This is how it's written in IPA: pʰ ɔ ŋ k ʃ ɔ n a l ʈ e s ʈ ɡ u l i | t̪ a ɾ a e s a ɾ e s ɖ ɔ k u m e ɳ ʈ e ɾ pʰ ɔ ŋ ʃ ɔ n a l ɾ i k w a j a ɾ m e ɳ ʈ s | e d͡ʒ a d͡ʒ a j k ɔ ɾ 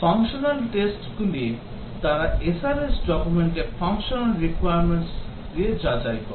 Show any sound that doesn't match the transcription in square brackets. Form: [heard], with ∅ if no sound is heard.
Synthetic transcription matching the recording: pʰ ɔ ŋ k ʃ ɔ n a l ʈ e s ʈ ɡ u l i | t̪ a ɾ a e s a ɾ e s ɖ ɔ k u m e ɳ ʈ e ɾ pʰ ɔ ŋ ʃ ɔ n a l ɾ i k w a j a ɾ m e ɳ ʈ s | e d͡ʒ a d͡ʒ a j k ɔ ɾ